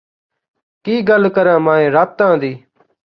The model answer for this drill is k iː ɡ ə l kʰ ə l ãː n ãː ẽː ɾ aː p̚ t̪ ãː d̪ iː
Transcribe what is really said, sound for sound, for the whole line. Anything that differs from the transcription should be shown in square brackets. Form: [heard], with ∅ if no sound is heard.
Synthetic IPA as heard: k iː ɡ ə l [k] ə [ɾ] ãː [m] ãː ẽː ɾ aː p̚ t̪ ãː d̪ iː